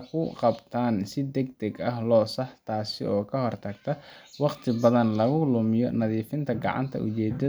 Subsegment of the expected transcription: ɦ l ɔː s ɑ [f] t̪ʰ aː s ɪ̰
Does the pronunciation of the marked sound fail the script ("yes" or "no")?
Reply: yes